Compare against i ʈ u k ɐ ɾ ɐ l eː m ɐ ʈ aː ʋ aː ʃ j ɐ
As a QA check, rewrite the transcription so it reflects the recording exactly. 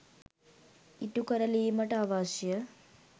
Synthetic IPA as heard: i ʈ u k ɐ ɾ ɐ l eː m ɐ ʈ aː ʋ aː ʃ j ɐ